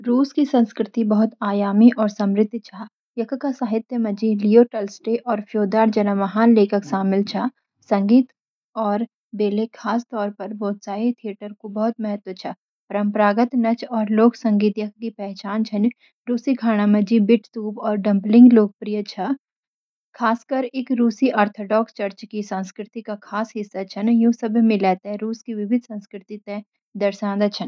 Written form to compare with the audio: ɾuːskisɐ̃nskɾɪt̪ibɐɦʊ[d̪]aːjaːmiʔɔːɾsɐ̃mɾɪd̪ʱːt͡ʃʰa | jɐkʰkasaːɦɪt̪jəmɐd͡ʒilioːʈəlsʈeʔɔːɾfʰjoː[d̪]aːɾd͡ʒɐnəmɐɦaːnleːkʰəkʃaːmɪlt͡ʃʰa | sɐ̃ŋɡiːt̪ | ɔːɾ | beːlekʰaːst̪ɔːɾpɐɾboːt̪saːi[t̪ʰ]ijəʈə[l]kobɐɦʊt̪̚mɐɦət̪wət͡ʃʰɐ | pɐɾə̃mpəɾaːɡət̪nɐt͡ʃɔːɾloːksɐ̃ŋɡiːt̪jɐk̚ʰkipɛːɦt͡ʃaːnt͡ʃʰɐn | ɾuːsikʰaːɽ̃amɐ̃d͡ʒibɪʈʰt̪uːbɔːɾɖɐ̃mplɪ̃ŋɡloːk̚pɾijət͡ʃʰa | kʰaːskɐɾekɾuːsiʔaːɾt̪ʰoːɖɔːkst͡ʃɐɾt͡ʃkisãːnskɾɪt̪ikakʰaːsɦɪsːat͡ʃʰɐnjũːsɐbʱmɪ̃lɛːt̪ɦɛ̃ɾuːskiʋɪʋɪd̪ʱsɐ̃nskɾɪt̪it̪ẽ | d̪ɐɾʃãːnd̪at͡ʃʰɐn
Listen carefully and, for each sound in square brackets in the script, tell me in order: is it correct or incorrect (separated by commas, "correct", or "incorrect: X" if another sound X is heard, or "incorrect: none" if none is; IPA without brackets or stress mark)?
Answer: incorrect: t̪, correct, correct, incorrect: ɾ